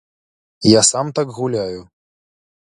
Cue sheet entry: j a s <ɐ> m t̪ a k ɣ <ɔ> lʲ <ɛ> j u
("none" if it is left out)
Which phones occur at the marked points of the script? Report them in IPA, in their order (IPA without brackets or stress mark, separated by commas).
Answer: a, u, a